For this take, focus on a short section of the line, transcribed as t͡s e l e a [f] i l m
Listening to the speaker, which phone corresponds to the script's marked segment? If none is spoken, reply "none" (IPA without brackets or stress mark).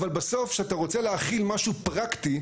χ